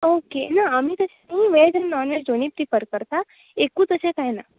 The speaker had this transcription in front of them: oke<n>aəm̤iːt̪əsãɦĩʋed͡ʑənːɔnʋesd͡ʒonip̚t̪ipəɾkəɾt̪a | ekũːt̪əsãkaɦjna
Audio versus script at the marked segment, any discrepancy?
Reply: no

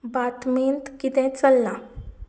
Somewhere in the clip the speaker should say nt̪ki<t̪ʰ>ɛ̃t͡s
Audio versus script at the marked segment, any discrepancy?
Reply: yes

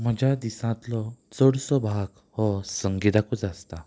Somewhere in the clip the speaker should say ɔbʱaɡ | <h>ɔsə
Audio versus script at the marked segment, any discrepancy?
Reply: no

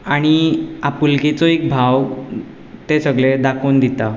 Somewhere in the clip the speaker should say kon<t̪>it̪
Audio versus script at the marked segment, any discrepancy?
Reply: yes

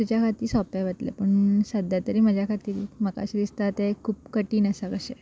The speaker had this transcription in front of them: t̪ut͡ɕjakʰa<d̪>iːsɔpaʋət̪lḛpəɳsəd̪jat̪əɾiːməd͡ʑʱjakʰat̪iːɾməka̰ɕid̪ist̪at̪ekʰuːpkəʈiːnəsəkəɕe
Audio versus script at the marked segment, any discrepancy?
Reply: yes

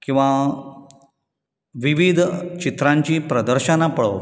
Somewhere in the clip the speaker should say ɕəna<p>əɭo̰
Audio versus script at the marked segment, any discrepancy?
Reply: no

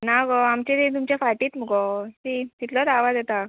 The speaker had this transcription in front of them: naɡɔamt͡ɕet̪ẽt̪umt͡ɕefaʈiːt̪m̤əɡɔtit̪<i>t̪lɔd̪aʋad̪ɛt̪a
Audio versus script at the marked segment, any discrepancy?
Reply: no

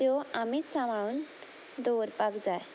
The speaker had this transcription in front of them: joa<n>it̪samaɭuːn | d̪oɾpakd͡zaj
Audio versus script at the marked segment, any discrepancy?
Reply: yes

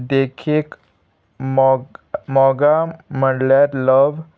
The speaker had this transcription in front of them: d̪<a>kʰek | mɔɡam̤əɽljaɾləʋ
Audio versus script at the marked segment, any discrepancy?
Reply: yes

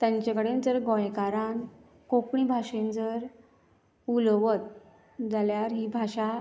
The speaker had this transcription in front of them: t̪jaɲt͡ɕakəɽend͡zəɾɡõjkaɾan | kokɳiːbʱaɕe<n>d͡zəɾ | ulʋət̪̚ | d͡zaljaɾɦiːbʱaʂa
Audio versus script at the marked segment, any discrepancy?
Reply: no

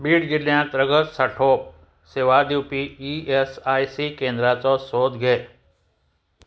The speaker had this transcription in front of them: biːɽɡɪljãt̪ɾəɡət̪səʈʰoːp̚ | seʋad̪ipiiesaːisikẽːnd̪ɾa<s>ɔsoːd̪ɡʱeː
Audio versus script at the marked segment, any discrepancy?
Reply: yes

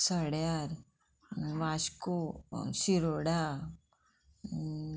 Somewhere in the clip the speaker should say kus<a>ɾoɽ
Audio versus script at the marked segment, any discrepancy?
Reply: yes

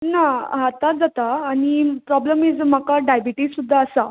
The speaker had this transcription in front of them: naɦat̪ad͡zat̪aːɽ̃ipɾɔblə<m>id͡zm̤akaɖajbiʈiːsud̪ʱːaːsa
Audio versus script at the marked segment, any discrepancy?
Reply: no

